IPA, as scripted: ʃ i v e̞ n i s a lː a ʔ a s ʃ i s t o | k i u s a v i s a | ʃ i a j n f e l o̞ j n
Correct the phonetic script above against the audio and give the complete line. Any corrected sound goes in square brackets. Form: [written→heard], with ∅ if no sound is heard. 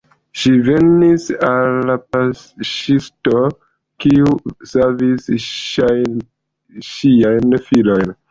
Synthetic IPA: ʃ i v e̞ n i s a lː a [ʔ→p] a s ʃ i s t o | k i u s a v i s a | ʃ i a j n f [e→i] l o̞ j n